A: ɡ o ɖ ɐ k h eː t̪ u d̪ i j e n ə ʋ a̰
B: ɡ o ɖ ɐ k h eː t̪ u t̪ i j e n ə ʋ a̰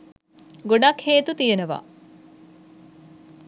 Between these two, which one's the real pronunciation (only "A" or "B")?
B